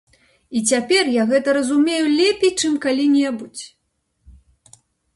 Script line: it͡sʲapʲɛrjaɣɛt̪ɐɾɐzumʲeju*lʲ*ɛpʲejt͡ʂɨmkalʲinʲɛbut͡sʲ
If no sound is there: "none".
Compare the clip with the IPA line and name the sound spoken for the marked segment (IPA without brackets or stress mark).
lʲ